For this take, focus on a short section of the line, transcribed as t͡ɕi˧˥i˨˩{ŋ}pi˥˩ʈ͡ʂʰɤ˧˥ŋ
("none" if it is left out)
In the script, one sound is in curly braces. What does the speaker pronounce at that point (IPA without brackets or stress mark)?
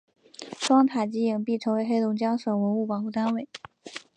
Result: ŋ